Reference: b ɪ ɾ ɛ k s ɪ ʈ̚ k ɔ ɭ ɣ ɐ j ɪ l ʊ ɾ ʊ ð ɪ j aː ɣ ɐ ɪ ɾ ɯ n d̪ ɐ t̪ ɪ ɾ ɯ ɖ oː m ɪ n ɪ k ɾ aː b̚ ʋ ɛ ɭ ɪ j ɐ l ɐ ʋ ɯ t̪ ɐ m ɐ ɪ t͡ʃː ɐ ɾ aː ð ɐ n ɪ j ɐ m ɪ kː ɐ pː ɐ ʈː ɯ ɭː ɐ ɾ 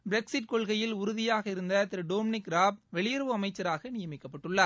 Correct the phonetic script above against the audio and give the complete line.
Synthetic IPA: b ɪ ɾ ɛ k s ɪ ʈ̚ k ɔ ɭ ɣ ɐ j ɪ l ʊ ɾ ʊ ð ɪ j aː ɣ ɐ ɪ ɾ ɯ n d̪ ɐ t̪ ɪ ɾ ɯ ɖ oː m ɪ n ɪ k ɾ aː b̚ ʋ ɛ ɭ ɪ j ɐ ɾ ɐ ʋ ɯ ɐ m ɐ ɪ t͡ʃː ɐ ɾ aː ɣ ɐ n ɪ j ɐ m ɪ kː ɐ pː ɐ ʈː ɯ ɭː ɐ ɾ